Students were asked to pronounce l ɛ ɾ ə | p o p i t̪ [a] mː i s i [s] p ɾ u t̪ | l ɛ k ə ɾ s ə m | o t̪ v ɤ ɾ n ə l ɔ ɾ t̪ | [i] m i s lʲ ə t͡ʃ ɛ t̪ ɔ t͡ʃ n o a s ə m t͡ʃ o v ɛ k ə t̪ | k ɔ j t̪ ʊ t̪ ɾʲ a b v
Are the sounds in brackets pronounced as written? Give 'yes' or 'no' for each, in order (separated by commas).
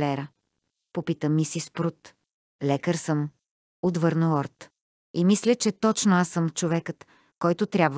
no, yes, yes